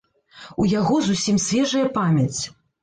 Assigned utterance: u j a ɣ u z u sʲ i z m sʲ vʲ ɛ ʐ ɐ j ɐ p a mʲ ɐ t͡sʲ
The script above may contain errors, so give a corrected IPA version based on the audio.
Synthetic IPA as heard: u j a ɣ ɔ z u sʲ i m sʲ vʲ ɛ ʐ ɐ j ɐ p a mʲ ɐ t͡sʲ